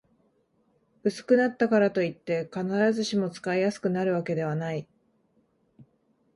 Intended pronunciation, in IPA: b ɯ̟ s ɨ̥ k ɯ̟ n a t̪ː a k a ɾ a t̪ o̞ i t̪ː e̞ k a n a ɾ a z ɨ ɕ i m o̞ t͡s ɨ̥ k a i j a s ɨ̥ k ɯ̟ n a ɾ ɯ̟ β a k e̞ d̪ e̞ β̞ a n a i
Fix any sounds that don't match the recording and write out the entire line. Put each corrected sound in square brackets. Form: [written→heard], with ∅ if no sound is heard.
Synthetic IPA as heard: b ɯ̟ s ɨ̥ k ɯ̟ n a t̪ː a k a ɾ a t̪ o̞ i t̪ː e̞ k a n a ɾ a z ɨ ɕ i m o̞ t͡s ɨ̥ k a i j a s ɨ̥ k ɯ̟ n a ɾ ɯ̟ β a k e̞ d̪ e̞ β̞ a n a i

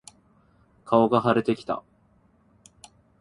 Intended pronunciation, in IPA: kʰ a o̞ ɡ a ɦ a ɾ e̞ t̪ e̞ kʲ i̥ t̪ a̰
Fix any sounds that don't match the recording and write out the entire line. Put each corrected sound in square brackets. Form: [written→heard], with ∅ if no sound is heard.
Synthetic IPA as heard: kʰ a o̞ ɡ a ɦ a ɾ e̞ t̪ e̞ kʲ i̥ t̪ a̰

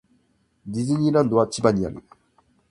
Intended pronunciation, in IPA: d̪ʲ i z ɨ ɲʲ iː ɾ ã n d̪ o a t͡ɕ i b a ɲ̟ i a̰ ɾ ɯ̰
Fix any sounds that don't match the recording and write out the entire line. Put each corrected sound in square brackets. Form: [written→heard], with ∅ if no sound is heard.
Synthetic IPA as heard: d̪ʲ i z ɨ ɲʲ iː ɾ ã n d̪ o a t͡ɕ i b a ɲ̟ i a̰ ɾ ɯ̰

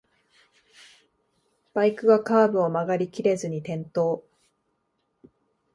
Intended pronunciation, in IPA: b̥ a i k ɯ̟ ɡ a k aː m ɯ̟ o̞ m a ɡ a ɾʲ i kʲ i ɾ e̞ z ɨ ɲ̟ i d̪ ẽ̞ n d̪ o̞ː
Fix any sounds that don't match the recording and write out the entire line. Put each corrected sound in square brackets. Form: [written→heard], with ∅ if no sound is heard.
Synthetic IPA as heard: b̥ a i k ɯ̟ ɡ a k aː [m→b] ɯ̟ o̞ m a ɡ a ɾʲ i kʲ i ɾ e̞ z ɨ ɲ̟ i [d̪→t̪] ẽ̞ n [d̪→t̪] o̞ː

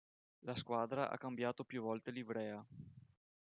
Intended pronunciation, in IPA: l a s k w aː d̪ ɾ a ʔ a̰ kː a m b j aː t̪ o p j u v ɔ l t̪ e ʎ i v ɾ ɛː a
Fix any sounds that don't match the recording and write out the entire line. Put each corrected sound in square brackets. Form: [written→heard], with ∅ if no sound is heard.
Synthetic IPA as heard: l a s k w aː d̪ ɾ a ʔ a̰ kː a m b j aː t̪ o p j u v ɔ l t̪ e [ʎ→l] i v ɾ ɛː a

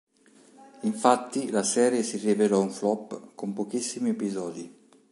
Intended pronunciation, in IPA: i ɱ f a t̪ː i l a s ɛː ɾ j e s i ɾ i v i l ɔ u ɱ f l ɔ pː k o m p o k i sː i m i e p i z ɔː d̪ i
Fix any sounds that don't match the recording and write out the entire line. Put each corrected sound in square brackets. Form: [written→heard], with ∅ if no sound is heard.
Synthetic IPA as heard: i ɱ f a t̪ː i l a s ɛː ɾ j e s i [ɾ→r] i v [i→e] l ɔ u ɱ f l ɔ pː k o m p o k i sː i m i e p i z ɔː d̪ i

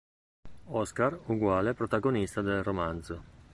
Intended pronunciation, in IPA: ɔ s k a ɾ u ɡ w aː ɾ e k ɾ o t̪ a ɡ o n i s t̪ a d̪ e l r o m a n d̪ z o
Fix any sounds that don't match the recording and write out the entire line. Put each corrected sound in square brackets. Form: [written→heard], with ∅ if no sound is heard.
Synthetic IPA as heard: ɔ s k a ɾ u ɡ w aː [ɾ→l] e [k→p] ɾ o t̪ a ɡ o n i s t̪ a d̪ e l r o m a n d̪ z o

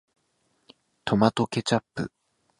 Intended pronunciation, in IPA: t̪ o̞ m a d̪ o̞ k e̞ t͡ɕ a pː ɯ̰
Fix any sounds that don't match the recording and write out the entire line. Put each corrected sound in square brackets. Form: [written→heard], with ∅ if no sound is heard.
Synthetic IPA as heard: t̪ o̞ m a [d̪→t̪] o̞ k e̞ t͡ɕ a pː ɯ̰

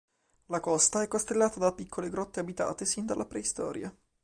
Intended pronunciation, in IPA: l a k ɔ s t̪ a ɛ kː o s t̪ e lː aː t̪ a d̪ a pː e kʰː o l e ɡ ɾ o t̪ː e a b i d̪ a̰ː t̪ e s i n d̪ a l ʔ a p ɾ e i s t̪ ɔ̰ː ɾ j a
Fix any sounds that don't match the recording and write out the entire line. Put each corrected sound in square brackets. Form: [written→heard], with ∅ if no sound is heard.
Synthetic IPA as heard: l a k ɔ s t̪ a ɛ kː o s t̪ e lː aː t̪ a d̪ a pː [e→i] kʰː o l e ɡ ɾ [o→ɔ] t̪ː e a b i [d̪→t̪] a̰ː t̪ e s i n d̪ a l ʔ a p ɾ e i s t̪ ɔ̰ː ɾ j a

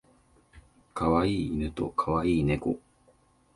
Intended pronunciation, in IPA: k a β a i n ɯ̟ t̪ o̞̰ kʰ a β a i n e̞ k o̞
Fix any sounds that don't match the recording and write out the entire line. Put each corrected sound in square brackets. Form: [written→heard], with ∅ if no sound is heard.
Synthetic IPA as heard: k a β a [i→iː] n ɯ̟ t̪ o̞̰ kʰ a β a [i→iː] n e̞ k o̞

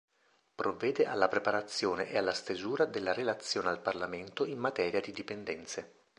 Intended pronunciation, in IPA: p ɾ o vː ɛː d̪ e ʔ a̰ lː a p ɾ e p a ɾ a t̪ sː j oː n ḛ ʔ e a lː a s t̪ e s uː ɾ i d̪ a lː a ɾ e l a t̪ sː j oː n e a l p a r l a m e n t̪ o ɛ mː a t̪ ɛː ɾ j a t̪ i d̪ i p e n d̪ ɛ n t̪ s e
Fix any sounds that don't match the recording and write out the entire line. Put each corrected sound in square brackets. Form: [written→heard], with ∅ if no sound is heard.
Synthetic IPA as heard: p ɾ o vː ɛː d̪ e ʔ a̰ lː a p ɾ e p a ɾ a t̪ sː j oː n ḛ ʔ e a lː a s t̪ e [s→z] uː ɾ [i→a] d̪ [a→e] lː a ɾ e l a t̪ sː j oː n e a l p a r l a m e n t̪ o [ɛ→i] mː a t̪ ɛː ɾ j a [t̪→d̪] i d̪ i p e n d̪ ɛ n t̪ s e

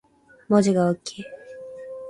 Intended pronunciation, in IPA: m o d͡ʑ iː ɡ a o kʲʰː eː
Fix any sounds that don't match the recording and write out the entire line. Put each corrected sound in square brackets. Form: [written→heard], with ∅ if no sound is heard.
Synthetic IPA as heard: m o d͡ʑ [iː→i] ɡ a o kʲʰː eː

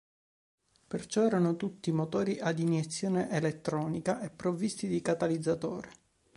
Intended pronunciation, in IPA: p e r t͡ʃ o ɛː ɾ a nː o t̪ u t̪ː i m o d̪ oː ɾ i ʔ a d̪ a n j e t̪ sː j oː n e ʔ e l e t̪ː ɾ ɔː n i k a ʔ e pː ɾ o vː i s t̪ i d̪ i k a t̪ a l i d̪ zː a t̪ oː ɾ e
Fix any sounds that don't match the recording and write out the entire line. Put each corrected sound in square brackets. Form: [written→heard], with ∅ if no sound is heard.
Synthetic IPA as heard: p e r t͡ʃ [o→ɔ] ɛː ɾ a [nː→n] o t̪ u t̪ː i m o [d̪→t̪] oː ɾ i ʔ a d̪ [a→i] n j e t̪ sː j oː n e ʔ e l e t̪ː ɾ ɔː n i k a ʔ e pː ɾ o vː i s t̪ i d̪ i k a t̪ a l i d̪ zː a t̪ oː ɾ e

